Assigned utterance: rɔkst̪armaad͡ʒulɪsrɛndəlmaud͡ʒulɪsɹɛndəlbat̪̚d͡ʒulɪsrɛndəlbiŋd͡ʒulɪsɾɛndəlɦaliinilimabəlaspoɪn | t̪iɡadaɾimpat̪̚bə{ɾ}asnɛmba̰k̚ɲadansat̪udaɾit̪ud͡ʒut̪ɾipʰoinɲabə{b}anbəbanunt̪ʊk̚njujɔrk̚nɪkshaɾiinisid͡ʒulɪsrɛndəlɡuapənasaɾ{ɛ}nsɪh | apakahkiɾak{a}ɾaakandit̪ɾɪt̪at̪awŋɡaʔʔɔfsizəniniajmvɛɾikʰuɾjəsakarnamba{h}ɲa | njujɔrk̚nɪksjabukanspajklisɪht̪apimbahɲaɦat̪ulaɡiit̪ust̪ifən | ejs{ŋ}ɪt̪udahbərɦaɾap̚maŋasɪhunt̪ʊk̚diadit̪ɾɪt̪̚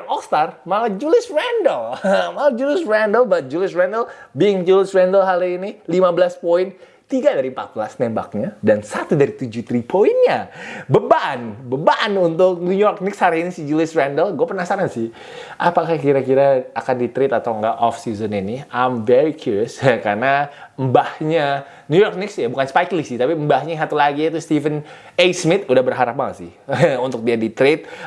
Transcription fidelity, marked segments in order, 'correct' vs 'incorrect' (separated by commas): incorrect, correct, incorrect, incorrect, correct, incorrect